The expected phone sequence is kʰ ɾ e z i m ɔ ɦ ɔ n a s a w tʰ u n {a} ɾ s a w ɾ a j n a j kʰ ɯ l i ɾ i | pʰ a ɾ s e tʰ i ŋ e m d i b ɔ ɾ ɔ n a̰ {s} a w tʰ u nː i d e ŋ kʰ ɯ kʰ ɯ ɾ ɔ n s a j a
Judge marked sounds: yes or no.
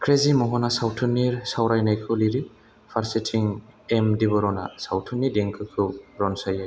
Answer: no, yes

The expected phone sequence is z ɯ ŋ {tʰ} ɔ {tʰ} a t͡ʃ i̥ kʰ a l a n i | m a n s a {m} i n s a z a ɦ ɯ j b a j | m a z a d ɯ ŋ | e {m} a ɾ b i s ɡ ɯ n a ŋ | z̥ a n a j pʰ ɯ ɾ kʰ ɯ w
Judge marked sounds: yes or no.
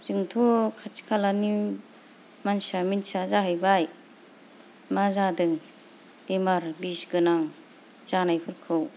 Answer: yes, no, yes, yes

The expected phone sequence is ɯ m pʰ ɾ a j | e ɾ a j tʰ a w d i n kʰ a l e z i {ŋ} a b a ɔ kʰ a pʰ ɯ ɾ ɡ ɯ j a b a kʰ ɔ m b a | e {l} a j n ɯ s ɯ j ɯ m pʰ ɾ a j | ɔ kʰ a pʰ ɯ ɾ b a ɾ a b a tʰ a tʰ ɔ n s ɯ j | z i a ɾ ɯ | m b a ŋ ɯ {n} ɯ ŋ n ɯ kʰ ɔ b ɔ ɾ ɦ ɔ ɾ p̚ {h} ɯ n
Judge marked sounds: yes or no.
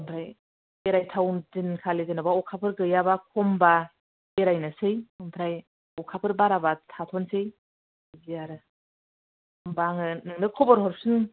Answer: no, no, yes, no

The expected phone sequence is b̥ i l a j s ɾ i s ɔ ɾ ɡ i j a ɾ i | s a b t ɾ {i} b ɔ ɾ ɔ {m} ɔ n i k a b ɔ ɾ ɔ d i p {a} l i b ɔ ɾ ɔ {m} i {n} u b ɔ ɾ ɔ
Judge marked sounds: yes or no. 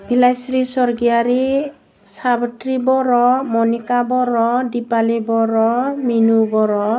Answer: yes, yes, yes, yes, yes

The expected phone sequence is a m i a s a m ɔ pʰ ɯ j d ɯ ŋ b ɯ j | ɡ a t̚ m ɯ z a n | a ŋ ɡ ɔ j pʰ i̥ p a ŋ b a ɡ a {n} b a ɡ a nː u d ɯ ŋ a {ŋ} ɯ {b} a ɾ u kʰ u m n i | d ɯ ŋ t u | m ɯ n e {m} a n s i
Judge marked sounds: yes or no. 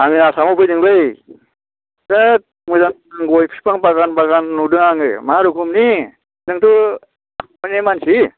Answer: yes, yes, no, yes

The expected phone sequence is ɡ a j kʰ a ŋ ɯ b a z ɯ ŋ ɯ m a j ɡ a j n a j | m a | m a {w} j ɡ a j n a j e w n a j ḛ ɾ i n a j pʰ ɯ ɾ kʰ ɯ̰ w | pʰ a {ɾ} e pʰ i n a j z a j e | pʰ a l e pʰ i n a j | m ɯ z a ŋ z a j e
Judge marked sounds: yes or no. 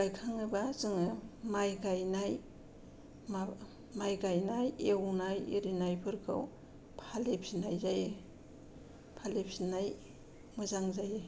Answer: no, no

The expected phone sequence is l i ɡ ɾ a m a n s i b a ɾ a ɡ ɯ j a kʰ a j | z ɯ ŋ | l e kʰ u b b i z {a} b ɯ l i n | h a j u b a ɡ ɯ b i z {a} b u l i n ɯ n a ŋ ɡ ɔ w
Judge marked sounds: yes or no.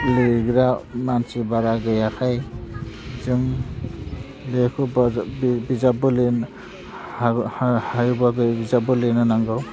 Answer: yes, yes

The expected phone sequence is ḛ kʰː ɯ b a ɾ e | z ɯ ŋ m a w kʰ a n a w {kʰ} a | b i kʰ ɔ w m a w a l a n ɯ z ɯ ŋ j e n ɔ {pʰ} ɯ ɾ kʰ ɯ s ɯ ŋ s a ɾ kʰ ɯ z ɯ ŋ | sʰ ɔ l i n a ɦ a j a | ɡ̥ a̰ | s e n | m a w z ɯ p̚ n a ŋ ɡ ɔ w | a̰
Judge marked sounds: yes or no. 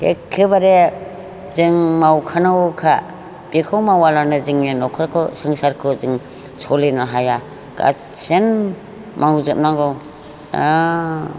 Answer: yes, no

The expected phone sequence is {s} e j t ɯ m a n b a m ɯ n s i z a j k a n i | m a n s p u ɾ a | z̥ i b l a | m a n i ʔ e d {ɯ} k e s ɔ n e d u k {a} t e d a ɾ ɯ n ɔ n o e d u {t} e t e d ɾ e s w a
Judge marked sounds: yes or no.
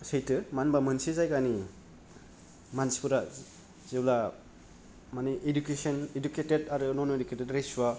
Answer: yes, no, no, no

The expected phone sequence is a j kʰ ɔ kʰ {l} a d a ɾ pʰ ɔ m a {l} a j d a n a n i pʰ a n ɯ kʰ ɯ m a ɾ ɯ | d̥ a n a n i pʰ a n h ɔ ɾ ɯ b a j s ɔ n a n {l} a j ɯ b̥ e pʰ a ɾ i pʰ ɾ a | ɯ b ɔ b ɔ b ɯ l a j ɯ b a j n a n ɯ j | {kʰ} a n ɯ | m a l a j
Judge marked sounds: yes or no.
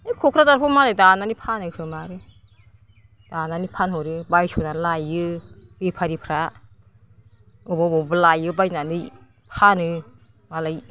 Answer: no, yes, yes, no

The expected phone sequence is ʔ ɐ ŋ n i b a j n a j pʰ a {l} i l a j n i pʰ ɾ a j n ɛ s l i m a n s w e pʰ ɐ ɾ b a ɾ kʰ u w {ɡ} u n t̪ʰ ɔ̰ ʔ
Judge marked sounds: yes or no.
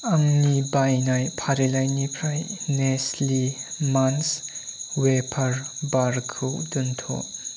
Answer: no, no

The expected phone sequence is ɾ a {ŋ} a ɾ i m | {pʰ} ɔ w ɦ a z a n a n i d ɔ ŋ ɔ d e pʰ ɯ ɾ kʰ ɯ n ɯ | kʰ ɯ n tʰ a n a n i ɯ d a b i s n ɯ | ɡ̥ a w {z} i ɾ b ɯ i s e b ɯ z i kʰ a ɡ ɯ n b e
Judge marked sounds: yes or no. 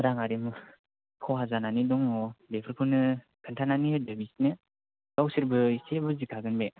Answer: yes, no, no

